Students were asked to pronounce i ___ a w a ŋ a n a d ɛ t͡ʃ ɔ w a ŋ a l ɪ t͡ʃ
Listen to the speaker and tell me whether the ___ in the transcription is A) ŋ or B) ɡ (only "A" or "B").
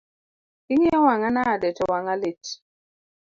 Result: A